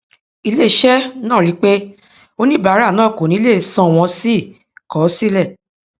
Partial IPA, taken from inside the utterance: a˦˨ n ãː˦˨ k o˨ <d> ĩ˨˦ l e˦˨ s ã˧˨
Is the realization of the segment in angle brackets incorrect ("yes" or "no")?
yes